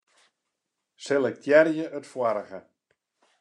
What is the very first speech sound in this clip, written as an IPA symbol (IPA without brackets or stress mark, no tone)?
s